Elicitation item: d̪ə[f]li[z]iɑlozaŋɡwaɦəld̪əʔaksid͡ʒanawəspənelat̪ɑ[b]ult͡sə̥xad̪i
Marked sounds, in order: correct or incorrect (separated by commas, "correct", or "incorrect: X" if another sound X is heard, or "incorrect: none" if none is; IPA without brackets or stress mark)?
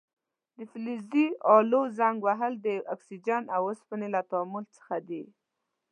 correct, correct, incorrect: m